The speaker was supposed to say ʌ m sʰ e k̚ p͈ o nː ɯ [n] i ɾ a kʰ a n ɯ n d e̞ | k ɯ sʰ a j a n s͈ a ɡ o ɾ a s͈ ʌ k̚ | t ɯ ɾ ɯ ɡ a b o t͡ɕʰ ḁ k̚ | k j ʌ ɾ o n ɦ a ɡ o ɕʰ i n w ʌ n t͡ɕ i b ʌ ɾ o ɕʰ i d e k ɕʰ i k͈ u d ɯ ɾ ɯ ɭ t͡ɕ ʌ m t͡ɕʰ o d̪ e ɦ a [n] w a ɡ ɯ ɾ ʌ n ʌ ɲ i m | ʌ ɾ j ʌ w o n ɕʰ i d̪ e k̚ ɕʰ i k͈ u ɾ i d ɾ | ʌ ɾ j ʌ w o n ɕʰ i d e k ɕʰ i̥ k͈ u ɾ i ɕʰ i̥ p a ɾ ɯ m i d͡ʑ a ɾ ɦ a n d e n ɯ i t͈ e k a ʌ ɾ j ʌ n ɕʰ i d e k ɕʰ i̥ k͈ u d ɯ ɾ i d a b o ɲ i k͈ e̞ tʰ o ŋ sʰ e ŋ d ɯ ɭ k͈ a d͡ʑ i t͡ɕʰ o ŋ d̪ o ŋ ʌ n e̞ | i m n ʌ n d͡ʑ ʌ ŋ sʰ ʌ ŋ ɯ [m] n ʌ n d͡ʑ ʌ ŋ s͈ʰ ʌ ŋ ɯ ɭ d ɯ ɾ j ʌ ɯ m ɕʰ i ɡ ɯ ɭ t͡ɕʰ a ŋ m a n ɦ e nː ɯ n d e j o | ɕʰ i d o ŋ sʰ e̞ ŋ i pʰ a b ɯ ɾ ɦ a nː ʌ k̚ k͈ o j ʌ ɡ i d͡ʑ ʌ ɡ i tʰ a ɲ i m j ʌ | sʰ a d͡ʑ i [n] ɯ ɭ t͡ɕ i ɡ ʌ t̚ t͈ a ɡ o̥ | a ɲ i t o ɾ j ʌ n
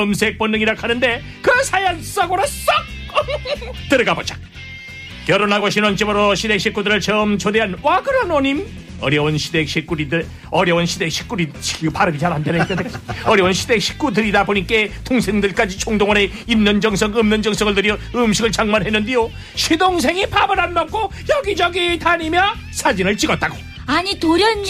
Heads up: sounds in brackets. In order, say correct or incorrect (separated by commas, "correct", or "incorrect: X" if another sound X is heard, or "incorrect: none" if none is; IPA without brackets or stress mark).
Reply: incorrect: ŋ, correct, correct, correct